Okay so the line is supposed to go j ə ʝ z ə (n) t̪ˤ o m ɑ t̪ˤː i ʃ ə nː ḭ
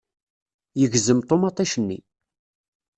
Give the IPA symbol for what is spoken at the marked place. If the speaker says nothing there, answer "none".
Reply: m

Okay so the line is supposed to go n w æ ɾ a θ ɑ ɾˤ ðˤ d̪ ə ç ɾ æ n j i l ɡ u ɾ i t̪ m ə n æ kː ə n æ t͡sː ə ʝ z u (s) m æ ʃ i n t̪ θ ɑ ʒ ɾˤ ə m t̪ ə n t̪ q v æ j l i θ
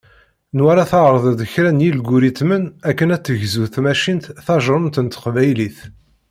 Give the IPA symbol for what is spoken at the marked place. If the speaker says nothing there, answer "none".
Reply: θ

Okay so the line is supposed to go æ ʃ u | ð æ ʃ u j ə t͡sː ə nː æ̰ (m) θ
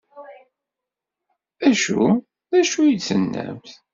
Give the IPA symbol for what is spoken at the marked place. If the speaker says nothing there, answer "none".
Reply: m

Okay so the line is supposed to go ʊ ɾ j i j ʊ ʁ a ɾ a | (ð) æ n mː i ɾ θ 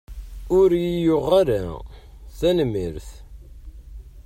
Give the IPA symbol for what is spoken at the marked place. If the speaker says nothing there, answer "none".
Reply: θ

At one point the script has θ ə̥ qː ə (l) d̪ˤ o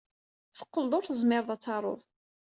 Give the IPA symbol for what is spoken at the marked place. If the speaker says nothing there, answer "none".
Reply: l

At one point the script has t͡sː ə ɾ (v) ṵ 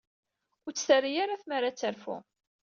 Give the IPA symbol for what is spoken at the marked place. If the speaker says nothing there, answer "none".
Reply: f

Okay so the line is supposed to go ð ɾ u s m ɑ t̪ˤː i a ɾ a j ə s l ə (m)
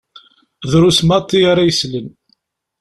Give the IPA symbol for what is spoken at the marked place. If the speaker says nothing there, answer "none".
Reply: n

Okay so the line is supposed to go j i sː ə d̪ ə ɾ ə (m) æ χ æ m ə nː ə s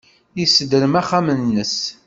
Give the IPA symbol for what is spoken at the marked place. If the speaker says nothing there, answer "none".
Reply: m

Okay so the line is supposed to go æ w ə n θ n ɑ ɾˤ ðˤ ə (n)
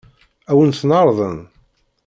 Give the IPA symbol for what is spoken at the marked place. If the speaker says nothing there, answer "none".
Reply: n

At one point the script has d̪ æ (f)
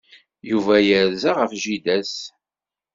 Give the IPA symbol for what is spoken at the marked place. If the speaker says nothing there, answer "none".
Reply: s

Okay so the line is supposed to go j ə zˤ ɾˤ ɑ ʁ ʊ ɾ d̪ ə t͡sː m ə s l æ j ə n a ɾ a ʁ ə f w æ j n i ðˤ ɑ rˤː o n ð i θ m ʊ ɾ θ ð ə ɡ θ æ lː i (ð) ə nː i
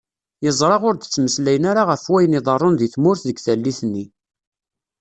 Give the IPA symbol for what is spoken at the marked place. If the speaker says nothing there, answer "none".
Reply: θ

